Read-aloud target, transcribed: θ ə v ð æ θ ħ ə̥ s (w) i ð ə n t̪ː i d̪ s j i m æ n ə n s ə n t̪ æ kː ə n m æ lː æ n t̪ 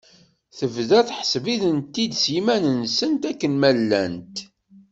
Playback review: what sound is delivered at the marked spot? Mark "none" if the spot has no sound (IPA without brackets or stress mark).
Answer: v